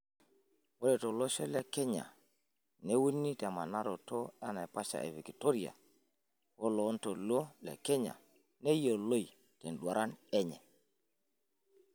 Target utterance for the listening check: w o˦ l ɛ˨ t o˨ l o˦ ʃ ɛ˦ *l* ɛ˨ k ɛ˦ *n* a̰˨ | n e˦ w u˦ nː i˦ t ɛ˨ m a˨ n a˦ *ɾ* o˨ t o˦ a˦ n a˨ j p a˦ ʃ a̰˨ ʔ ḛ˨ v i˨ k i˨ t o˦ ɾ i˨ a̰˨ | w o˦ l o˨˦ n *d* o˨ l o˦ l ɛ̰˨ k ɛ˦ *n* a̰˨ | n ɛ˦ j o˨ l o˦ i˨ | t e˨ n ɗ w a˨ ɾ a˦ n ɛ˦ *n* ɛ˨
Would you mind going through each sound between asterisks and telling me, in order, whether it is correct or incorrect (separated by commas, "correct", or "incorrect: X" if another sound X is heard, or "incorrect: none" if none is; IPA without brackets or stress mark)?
correct, incorrect: ɲ, correct, incorrect: t, incorrect: ɲ, incorrect: ɲ